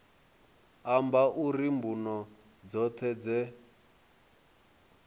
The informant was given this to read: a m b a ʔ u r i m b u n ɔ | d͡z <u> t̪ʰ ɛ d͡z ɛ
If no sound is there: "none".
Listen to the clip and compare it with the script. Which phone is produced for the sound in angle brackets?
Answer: ɔ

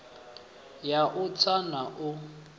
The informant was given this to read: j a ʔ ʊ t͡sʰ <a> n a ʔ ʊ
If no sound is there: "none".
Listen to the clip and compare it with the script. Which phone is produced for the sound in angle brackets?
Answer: a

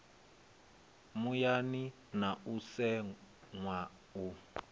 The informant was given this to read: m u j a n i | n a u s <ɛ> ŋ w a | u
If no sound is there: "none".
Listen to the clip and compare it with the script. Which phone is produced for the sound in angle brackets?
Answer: ɛ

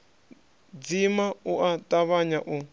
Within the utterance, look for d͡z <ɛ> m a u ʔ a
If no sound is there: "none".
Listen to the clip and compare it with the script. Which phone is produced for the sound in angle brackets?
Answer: i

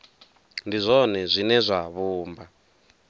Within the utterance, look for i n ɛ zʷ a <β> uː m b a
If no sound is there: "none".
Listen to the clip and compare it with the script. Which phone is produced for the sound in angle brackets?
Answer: β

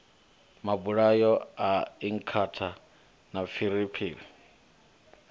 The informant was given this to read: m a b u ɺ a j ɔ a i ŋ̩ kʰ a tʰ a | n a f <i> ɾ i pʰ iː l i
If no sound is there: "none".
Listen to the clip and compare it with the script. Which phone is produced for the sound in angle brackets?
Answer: i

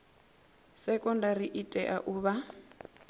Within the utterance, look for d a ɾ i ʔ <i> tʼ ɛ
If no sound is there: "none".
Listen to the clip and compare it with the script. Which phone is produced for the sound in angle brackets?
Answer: i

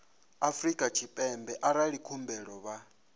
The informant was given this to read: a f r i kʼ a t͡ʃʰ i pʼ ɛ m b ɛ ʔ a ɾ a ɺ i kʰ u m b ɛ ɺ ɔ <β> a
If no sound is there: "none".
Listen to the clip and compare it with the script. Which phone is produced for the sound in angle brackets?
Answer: β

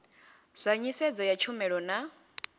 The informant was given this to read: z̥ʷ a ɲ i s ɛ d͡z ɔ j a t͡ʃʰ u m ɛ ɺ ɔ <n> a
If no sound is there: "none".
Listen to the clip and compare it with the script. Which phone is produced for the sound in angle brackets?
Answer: n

